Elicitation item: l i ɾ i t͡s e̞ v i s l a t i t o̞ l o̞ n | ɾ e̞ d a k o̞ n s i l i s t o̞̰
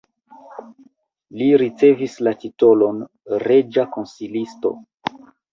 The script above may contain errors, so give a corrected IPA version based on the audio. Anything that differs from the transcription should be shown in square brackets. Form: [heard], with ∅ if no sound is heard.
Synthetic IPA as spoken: l i ɾ i t͡s e̞ v i s l a t i t o̞ l o̞ n | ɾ e̞ [d͡ʒ] a k o̞ n s i l i s t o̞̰